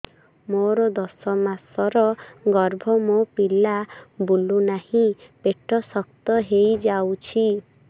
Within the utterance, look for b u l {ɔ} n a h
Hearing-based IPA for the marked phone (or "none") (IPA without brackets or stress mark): u